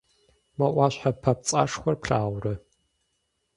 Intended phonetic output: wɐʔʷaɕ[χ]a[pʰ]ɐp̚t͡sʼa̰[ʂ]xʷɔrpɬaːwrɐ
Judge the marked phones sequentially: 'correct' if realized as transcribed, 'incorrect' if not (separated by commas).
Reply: incorrect, correct, correct